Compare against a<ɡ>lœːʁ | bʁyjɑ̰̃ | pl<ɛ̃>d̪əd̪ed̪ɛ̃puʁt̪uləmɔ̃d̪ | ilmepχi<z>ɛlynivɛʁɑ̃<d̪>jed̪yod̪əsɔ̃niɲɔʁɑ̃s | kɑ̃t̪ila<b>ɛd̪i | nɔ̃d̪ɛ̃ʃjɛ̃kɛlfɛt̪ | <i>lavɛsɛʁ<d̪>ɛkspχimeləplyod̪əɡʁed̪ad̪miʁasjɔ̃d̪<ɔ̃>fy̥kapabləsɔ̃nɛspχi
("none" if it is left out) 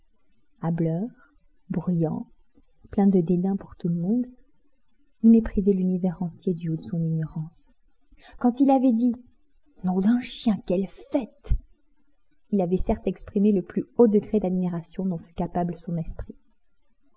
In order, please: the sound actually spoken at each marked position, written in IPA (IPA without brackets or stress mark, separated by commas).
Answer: b, ɛ̃, z, t̪, v, i, t̪, ɔ̃